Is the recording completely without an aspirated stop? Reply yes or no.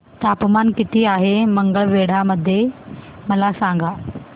yes